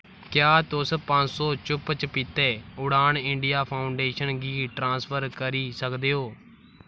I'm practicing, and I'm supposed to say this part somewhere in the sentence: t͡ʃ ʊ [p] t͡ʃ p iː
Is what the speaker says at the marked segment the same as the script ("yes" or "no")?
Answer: yes